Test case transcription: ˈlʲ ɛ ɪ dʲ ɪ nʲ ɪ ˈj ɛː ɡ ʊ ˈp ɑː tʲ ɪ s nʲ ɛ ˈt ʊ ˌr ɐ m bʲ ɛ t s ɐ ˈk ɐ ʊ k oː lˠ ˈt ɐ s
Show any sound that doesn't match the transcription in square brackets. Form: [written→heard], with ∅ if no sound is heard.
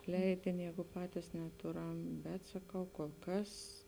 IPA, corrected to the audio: ˈlʲ ɛ ɪ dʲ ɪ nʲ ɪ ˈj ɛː ɡ ʊ ˈp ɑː tʲ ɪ s nʲ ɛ ˈt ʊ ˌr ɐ m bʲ ɛ t s ɐ ˈk ɐ ʊ k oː lˠ [ˈt→ˈk] ɐ s